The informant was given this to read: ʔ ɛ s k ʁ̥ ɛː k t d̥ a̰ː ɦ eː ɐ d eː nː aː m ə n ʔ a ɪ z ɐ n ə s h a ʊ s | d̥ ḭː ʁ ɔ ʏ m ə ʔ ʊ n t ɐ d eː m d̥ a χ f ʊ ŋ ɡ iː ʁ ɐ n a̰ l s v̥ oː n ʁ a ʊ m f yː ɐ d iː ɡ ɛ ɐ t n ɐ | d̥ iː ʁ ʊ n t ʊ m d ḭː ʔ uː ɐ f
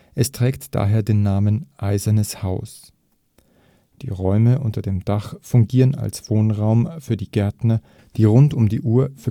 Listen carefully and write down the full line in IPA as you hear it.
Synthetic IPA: ʔ ɛ s t ʁ̥ ɛː k t d̥ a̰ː ɦ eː ɐ d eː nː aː m ə n ʔ a ɪ z ɐ n ə s h a ʊ s | d̥ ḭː ʁ ɔ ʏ m ə ʔ ʊ n t ɐ d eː m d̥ a χ f ʊ ŋ ɡ iː ʁ ə n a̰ l s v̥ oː n ʁ a ʊ m f yː ɐ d iː ɡ ɛ ɐ t n ɐ | d̥ iː ʁ ʊ n t ʊ m d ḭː ʔ uː ɐ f

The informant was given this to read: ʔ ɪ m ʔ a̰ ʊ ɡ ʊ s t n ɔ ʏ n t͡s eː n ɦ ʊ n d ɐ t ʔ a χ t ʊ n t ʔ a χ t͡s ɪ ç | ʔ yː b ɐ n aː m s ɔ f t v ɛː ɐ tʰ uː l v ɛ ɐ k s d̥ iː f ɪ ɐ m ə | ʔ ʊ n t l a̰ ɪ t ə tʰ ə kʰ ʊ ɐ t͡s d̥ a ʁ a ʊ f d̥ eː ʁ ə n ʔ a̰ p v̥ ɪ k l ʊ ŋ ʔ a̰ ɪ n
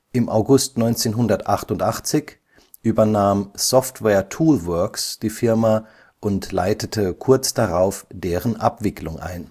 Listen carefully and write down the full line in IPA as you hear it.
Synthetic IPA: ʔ ɪ m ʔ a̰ ʊ ɡ ʊ s t n ɔ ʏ n t͡s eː n ɦ ʊ n d ɐ t ʔ a χ t ʊ n t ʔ a χ t͡s ɪ ç | ʔ yː b ɐ n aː m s ɔ f t v ɛː ɐ tʰ uː l v œ ɐ k s d̥ iː f ɪ ɐ m a | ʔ ʊ n t l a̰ ɪ t ə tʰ ə kʰ ʊ ɐ t͡s d̥ a ʁ a ʊ f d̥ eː ʁ ə n ʔ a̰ p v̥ ɪ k l ʊ ŋ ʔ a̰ ɪ n

